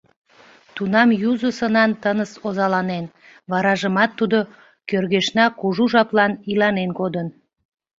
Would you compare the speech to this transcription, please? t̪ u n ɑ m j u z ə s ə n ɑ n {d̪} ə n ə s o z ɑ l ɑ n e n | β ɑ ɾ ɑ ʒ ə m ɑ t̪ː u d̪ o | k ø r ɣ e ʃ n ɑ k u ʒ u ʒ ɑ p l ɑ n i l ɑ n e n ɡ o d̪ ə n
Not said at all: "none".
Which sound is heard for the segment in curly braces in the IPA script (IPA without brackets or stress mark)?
t̪